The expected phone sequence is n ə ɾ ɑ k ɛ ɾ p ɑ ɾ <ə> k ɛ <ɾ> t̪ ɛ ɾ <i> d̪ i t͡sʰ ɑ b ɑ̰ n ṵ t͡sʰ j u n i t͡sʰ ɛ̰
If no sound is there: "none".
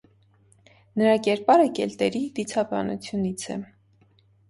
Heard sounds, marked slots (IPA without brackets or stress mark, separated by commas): ə, l, i